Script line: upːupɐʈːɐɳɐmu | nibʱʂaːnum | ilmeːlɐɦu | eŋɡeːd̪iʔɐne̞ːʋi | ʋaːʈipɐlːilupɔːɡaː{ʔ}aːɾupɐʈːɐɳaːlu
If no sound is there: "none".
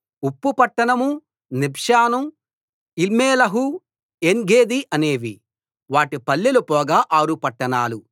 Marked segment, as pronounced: ʔ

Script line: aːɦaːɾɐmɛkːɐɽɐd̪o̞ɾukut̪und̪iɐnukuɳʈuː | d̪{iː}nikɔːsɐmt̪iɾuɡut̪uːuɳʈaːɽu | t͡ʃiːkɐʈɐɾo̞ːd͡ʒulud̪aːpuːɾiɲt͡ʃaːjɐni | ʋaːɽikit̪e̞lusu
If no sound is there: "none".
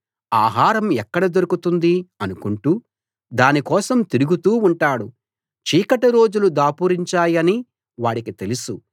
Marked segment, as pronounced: aː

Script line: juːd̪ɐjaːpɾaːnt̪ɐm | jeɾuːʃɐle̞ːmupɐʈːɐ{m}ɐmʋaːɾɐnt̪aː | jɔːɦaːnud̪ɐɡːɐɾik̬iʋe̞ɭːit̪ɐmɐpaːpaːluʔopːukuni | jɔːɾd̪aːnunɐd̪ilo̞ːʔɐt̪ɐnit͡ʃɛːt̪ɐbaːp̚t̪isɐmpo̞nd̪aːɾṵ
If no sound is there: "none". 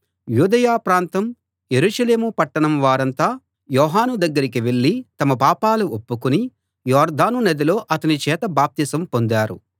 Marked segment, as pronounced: ɳ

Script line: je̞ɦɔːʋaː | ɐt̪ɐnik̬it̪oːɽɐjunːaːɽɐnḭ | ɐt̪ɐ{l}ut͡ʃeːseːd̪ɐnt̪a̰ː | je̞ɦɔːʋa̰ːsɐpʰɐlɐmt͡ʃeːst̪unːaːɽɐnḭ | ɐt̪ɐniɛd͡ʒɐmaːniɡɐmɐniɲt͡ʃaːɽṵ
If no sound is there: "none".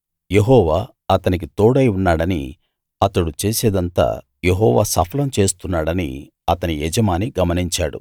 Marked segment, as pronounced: ɽ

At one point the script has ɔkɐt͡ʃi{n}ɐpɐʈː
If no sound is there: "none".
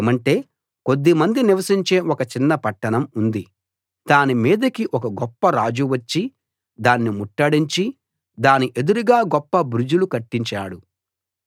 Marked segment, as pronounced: nː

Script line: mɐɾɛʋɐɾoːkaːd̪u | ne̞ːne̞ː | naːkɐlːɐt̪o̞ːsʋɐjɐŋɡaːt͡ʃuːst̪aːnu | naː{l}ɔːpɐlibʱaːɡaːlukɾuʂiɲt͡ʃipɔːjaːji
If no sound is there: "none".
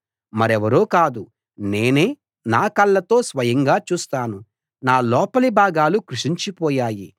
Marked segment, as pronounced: l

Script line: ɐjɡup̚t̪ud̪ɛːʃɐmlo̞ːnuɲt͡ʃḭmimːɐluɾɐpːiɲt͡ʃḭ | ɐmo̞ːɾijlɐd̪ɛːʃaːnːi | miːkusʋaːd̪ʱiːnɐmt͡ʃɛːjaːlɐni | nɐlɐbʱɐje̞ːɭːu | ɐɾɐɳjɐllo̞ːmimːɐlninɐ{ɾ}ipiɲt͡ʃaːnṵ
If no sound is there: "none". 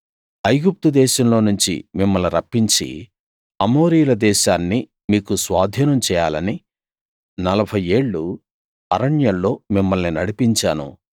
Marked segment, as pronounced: ɽ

